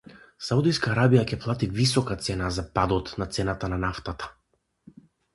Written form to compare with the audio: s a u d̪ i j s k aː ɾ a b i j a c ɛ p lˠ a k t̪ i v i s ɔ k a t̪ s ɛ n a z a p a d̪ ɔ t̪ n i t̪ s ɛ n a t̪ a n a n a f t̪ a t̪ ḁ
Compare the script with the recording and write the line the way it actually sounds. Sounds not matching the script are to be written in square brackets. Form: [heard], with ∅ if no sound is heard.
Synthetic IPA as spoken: s a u d̪ i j s k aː ɾ a b i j a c ɛ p lˠ a [∅] t̪ i v i s ɔ k a t̪ s ɛ n a z a p a d̪ ɔ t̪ n [a] t̪ s ɛ n a t̪ a n a n a f t̪ a t̪ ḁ